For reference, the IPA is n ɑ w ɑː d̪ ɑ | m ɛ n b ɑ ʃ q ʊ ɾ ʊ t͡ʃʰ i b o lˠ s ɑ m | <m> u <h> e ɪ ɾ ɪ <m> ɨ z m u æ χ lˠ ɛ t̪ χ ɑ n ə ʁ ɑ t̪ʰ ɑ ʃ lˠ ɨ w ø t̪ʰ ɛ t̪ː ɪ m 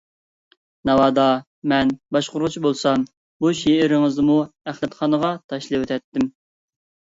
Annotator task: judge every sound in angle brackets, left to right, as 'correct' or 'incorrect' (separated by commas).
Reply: incorrect, incorrect, incorrect